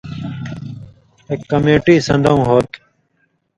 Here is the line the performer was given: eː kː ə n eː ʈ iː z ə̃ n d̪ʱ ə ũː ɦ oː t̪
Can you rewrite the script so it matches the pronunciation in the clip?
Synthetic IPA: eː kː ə m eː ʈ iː s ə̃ n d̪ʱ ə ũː ɦ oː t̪